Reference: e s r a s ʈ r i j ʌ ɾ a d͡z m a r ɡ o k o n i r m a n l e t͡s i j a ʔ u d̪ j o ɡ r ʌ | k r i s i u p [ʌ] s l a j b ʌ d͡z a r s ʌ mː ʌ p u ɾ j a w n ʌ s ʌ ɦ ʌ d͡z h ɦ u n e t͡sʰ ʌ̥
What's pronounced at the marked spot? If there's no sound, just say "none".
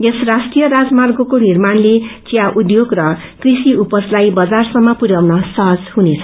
ʌ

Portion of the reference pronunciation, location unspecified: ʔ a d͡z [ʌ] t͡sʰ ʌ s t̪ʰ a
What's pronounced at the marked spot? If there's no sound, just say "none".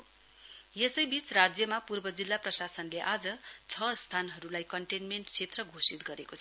ʌ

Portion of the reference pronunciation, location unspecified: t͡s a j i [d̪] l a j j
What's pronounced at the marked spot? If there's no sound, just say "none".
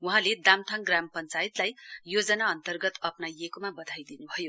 t̪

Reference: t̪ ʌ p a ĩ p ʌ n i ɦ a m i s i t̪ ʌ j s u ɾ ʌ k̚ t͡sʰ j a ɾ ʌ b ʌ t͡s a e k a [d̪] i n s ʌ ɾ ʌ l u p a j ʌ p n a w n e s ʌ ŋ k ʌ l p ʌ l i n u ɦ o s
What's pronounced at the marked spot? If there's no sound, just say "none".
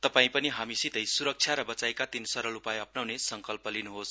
t̪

